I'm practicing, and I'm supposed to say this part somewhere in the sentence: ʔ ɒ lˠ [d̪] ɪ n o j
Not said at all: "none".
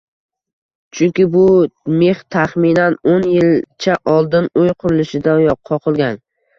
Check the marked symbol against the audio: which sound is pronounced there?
d̪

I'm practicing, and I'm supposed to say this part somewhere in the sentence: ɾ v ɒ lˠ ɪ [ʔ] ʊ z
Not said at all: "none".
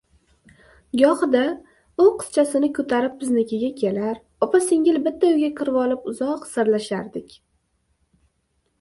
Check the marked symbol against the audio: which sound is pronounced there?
p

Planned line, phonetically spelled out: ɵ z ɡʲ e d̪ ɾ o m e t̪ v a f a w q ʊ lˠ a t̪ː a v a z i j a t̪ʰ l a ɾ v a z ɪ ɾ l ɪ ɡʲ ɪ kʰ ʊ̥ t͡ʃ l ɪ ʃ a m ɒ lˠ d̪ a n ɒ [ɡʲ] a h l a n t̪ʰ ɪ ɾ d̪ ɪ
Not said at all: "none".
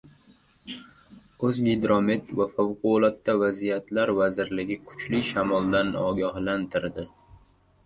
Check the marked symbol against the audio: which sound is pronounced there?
ɡʲ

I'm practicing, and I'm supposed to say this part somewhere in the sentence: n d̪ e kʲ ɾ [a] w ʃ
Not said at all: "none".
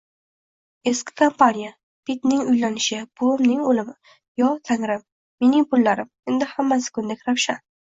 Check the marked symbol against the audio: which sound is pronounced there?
a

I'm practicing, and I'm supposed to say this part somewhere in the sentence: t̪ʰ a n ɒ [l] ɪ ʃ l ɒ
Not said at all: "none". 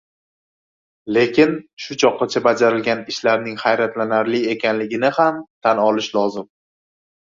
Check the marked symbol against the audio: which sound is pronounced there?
l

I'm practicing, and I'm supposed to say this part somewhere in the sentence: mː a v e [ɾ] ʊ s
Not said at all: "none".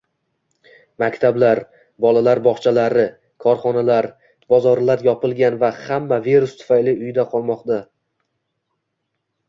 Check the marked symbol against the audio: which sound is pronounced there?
ɾ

